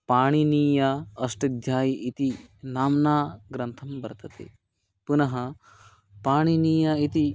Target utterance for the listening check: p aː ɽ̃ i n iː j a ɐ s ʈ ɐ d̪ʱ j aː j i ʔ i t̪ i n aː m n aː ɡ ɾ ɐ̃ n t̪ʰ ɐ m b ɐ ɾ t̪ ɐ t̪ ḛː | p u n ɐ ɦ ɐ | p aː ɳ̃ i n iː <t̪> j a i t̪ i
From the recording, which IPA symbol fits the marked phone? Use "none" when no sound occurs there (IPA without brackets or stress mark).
none